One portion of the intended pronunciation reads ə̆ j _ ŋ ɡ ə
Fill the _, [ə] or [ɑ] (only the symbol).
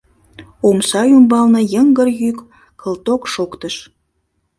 ə